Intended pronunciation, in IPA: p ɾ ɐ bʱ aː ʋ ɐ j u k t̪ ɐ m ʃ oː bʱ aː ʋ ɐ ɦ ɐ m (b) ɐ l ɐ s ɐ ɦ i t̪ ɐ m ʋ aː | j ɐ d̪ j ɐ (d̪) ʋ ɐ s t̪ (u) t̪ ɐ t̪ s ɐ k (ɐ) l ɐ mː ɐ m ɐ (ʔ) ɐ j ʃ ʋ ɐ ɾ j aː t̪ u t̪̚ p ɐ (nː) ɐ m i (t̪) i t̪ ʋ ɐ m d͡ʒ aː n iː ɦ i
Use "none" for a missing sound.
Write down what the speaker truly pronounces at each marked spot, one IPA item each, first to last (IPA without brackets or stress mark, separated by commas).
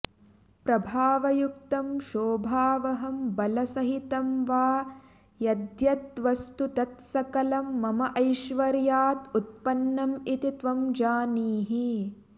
b, t̪, u, ɐ, ʔ, nː, t̪